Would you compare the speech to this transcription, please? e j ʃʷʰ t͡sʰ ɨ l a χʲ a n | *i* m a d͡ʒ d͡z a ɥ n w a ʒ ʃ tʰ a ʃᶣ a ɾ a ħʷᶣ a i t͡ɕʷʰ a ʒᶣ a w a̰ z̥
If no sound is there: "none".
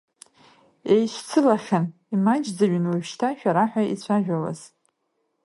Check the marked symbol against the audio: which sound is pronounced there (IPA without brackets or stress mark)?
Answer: i